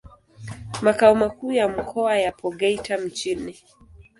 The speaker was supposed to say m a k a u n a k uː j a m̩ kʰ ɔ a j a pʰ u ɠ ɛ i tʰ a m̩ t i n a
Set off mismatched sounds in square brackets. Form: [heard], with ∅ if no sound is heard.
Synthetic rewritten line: m a k a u [m] a k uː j a m̩ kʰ ɔ a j a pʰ [ɔ] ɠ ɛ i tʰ a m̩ [t͡ʃ] i n [i]